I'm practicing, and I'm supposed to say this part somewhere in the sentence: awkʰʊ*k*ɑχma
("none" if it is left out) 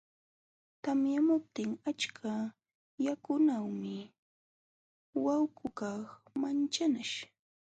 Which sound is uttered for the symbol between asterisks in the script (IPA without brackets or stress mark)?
k